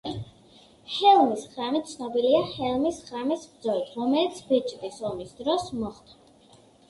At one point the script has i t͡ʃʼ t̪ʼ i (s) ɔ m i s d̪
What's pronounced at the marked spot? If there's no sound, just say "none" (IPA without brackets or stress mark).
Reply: s